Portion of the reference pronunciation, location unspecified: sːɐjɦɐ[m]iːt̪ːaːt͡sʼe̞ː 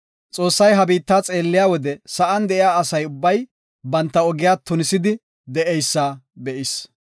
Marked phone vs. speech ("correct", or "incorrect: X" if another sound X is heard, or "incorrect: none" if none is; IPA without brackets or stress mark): incorrect: b